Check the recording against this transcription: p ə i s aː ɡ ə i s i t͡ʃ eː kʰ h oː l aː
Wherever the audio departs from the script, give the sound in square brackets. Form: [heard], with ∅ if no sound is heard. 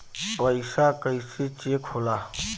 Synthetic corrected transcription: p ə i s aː [k] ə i s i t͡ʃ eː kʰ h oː l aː